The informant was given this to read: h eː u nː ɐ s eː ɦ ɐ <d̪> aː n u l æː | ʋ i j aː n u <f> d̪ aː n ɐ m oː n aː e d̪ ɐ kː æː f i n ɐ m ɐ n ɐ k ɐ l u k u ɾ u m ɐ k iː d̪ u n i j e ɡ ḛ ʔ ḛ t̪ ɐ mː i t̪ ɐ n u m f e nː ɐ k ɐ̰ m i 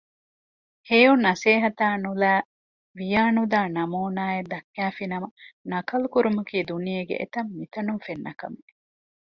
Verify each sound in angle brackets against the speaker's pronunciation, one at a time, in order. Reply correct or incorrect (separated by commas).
incorrect, incorrect